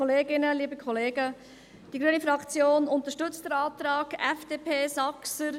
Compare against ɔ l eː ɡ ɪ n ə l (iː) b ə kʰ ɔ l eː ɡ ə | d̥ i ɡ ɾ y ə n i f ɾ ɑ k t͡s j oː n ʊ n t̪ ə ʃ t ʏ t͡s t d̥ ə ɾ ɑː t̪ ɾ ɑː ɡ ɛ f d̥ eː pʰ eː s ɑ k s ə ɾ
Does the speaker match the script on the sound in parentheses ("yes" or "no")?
yes